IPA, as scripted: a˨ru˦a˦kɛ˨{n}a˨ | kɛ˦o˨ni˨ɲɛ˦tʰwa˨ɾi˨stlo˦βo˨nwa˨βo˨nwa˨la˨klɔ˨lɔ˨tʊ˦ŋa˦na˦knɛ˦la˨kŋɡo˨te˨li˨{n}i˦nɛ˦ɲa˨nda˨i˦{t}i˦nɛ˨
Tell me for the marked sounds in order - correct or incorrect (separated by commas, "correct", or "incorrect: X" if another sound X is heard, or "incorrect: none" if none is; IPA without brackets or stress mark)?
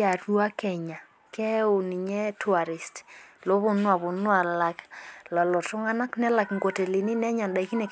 incorrect: ɲ, correct, incorrect: k